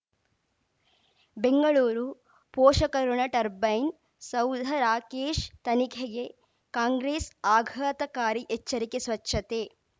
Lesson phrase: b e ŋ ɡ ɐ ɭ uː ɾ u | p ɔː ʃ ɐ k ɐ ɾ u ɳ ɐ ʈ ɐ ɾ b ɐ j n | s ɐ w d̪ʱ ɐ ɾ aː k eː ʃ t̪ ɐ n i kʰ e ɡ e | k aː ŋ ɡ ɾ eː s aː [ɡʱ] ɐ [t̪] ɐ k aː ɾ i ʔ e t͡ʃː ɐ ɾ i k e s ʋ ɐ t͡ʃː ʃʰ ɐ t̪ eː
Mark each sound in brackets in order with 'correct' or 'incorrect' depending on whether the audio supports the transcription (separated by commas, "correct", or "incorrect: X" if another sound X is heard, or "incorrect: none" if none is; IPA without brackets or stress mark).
correct, correct